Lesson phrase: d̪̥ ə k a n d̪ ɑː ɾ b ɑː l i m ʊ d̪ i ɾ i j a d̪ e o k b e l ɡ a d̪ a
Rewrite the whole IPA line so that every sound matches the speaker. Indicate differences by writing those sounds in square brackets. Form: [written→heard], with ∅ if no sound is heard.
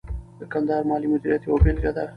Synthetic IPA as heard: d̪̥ ə k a n d̪ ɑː ɾ [b→m] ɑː l i m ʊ d̪ i ɾ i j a [d̪→t̪] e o [k→∅] b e l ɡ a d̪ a